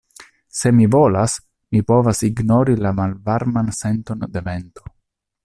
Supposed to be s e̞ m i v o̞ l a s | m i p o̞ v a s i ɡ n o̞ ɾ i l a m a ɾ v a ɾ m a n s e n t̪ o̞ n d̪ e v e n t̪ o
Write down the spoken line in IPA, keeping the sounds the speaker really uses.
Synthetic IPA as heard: s e̞ m i v o̞ l a s | m i p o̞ v a s i ɡ n o̞ ɾ i l a m a l v a ɾ m a n s e n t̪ o̞ n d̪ e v e n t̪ o